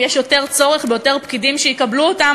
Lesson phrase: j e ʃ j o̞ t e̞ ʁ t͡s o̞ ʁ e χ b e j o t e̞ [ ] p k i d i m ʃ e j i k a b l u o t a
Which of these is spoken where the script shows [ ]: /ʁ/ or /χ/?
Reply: ʁ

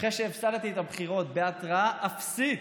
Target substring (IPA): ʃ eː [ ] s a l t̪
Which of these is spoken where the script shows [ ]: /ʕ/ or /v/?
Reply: v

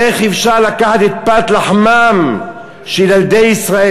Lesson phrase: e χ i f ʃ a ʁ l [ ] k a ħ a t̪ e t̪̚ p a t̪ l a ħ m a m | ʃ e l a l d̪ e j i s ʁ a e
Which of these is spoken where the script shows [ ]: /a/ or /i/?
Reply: a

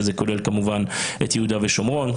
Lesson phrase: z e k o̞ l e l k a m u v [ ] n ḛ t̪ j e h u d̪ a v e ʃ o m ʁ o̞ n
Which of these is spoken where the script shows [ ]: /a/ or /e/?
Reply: a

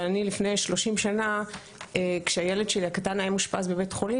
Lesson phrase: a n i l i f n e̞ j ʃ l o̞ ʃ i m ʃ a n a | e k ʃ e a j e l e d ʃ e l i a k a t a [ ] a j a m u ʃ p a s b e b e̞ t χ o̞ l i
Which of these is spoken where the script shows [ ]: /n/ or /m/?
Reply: n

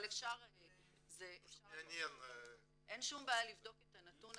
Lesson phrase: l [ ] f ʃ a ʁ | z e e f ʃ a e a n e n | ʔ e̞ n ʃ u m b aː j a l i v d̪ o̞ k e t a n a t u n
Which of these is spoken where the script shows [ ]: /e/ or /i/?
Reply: e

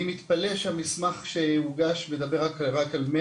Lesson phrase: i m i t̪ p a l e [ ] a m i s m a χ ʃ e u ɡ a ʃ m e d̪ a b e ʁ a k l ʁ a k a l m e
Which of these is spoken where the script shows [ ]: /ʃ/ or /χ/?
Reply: ʃ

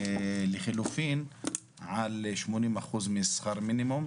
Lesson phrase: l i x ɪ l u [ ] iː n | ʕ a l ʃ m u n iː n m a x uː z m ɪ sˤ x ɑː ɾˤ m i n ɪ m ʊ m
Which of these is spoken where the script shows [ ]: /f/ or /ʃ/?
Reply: f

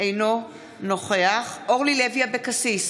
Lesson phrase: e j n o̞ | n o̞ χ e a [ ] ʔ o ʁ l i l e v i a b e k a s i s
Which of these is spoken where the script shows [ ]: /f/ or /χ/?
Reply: χ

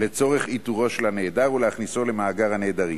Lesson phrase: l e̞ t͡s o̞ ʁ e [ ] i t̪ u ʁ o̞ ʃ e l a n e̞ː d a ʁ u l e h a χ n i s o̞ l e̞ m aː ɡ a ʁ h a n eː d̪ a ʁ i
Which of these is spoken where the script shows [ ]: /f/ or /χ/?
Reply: χ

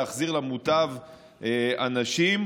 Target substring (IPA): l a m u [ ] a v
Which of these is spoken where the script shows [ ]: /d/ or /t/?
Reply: t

